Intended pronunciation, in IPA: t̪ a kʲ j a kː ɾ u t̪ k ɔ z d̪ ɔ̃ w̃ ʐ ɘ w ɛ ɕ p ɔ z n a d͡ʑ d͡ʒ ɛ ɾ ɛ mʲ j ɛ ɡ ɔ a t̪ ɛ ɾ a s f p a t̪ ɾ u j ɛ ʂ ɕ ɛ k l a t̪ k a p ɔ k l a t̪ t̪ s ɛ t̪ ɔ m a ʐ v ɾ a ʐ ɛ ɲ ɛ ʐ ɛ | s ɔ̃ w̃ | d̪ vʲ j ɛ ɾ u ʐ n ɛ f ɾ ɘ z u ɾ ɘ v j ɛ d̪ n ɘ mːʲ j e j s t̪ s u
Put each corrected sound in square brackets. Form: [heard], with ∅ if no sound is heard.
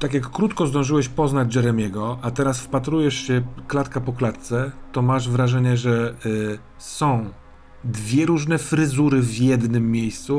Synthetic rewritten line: t̪ a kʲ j a kː ɾ u t̪ k ɔ z d̪ ɔ̃ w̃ ʐ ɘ w ɛ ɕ p ɔ z n a d͡ʑ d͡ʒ ɛ ɾ ɛ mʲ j ɛ ɡ ɔ a t̪ ɛ ɾ a s f p a t̪ ɾ u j ɛ ʂ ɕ ɛ k l a t̪ k a p ɔ k l a t̪ t̪ s ɛ t̪ ɔ m a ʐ v ɾ a ʐ ɛ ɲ ɛ ʐ ɛ | s ɔ̃ w̃ | d̪ vʲ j ɛ ɾ u ʐ n ɛ f ɾ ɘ z u ɾ ɘ v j ɛ d̪ n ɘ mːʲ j e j s t̪ s u